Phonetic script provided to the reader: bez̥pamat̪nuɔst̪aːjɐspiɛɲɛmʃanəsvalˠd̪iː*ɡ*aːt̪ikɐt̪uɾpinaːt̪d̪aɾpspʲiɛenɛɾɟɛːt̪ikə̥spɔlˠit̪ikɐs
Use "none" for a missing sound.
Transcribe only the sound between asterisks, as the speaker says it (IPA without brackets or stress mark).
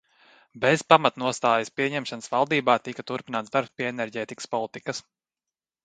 b